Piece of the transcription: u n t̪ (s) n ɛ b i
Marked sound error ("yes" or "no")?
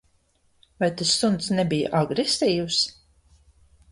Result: no